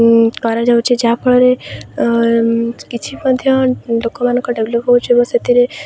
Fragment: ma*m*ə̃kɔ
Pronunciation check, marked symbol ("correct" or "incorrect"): incorrect